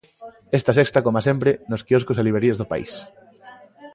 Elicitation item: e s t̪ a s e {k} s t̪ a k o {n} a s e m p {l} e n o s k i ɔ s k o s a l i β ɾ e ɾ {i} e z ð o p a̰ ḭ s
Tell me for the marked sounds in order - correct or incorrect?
correct, incorrect: m, incorrect: ɾ, correct

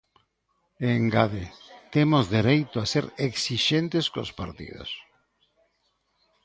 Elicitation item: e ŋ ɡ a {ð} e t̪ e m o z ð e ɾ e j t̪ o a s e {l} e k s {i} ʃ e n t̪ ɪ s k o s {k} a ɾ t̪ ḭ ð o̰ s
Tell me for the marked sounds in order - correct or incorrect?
correct, incorrect: ɾ, correct, incorrect: p

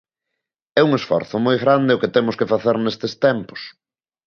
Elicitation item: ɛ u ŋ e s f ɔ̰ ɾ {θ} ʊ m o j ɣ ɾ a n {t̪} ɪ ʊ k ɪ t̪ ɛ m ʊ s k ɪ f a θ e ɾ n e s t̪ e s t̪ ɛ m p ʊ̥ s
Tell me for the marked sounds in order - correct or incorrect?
correct, incorrect: d̪

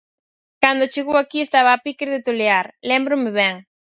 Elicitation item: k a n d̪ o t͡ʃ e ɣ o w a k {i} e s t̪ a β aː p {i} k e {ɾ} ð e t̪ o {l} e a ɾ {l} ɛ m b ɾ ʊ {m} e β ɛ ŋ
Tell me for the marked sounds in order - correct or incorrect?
correct, correct, correct, correct, correct, correct

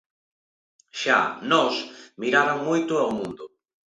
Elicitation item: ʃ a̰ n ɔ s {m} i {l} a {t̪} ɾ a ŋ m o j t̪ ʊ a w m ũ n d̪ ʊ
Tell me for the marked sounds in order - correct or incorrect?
correct, incorrect: ɾ, incorrect: none

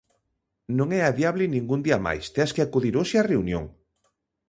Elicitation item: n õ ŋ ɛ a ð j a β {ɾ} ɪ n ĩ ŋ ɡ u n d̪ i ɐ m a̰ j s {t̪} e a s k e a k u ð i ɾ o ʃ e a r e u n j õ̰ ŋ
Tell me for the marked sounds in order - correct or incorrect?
incorrect: l, correct

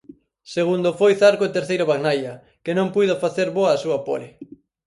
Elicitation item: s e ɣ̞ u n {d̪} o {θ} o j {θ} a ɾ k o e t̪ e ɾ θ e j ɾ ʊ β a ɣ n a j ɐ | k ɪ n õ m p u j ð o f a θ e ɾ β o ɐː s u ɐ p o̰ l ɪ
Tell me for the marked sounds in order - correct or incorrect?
correct, incorrect: f, correct

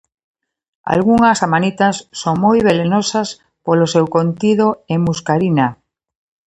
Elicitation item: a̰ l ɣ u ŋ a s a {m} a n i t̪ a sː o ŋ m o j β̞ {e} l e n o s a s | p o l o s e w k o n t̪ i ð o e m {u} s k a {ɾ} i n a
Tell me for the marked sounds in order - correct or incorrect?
correct, correct, correct, correct

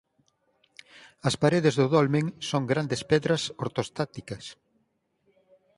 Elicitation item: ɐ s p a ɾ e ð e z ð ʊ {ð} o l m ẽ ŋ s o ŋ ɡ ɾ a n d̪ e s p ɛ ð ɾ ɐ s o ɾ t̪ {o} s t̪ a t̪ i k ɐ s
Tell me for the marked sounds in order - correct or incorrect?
correct, correct

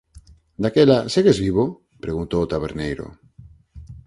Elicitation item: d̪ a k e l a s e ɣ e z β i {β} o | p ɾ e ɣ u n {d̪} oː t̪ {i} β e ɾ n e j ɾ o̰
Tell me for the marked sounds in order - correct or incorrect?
correct, incorrect: t̪, incorrect: a

